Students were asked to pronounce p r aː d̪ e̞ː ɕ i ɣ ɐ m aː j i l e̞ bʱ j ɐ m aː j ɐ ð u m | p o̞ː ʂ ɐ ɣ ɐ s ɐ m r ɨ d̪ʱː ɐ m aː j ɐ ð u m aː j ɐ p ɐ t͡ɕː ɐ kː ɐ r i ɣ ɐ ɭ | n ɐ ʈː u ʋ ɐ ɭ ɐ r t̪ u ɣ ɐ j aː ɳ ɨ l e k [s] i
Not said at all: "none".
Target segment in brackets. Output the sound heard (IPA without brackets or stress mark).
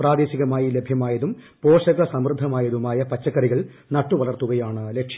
ʂ